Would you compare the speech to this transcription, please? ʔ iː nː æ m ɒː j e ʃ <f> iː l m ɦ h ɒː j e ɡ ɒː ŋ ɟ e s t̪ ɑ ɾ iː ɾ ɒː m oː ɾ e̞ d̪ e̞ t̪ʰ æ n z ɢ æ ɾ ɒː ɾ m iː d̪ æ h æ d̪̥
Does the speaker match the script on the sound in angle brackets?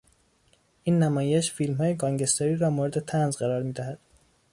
yes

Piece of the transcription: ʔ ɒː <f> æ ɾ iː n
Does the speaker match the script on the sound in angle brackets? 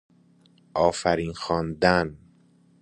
yes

